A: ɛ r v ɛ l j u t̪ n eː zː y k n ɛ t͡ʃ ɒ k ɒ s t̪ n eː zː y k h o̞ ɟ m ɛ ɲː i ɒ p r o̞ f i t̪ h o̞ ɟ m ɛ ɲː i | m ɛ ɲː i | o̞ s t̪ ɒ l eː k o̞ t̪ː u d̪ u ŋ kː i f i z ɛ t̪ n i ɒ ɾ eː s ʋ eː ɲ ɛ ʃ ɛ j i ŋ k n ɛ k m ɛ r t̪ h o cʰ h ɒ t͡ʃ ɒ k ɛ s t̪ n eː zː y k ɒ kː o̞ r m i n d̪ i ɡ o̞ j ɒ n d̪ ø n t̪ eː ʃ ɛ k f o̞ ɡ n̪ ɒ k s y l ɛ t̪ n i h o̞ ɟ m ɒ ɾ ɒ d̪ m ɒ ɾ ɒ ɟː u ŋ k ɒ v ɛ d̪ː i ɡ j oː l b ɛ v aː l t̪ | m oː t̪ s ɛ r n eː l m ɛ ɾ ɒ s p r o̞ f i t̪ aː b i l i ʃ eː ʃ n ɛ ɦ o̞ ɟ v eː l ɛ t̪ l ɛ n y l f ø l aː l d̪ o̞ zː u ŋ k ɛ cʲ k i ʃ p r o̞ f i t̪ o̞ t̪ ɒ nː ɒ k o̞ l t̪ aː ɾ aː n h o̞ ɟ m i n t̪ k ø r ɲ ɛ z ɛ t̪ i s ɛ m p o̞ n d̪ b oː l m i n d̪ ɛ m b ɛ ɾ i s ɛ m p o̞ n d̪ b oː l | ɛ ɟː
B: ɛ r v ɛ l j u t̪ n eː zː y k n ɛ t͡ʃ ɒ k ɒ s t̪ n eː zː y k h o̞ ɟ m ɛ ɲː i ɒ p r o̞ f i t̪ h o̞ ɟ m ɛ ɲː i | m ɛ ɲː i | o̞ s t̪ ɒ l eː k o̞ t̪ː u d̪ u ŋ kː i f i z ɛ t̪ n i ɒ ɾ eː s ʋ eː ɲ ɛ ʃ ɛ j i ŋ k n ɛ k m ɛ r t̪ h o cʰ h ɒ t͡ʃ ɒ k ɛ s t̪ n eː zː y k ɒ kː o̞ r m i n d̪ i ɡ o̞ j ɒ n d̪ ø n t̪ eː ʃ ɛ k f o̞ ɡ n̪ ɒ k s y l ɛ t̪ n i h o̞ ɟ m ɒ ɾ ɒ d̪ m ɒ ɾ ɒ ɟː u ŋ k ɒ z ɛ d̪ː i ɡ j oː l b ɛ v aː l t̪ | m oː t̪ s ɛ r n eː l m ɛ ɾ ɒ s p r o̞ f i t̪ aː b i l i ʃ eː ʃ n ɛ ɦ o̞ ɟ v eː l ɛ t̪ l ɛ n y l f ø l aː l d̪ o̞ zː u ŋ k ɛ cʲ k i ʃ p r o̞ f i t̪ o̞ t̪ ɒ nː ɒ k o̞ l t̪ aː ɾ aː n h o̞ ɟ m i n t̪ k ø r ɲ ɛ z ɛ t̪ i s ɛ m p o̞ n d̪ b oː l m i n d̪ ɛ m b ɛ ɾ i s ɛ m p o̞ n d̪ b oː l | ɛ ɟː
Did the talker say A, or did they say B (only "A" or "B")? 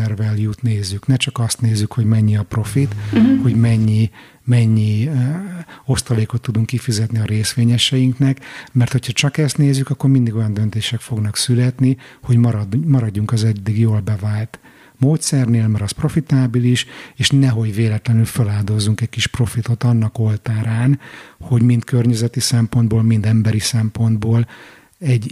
B